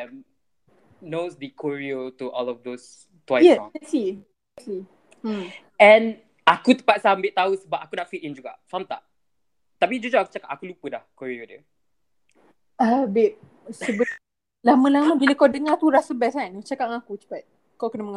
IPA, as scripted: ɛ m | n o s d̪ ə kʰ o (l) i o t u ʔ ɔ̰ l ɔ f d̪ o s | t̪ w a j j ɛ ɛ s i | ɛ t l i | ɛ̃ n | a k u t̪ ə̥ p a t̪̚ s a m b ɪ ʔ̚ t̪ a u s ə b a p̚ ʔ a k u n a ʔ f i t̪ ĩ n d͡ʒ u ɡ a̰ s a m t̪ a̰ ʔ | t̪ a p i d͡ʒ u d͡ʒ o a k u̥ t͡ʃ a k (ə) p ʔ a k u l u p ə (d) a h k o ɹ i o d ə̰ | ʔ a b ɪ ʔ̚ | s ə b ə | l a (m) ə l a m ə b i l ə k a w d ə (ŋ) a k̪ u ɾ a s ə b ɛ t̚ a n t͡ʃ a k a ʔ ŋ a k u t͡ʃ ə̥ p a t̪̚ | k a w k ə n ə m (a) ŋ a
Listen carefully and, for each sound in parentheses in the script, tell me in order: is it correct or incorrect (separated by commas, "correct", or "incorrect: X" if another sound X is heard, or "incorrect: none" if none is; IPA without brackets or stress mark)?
incorrect: ɹ, incorrect: a, correct, correct, correct, incorrect: ə